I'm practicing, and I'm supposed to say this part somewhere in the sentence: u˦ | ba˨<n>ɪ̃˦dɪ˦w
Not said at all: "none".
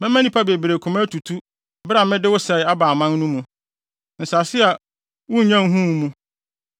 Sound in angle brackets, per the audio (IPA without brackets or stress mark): m